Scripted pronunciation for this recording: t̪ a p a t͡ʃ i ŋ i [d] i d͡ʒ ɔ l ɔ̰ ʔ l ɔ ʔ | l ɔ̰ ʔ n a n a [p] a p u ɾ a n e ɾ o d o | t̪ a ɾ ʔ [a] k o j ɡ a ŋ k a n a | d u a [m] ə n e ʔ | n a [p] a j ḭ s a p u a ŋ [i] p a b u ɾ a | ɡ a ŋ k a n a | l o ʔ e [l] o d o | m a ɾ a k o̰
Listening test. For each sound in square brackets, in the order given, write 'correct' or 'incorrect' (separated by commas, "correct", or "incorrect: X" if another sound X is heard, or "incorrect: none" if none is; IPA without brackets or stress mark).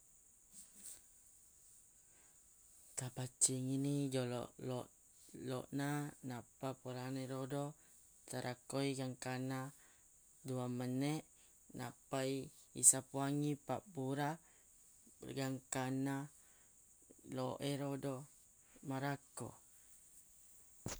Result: incorrect: n, correct, correct, correct, correct, correct, incorrect: ɾ